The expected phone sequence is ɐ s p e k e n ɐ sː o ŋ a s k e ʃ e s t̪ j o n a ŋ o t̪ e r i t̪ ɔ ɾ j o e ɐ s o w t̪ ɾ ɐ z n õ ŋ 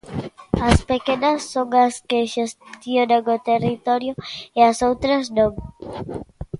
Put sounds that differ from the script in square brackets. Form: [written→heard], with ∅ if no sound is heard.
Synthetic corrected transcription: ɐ s p e k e n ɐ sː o ŋ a s k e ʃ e s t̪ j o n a ŋ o t̪ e r i t̪ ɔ ɾ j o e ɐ s o w t̪ ɾ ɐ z n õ ŋ